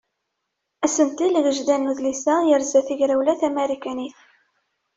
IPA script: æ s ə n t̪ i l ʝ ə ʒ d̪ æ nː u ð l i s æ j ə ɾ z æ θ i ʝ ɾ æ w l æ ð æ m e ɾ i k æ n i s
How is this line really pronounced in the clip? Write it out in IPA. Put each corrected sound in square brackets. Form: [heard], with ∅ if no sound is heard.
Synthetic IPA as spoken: æ s ə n t̪ i l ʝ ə ʒ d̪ æ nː u ð l i s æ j ə ɾ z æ θ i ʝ ɾ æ w l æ [θ] æ m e ɾ i k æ n i [θ]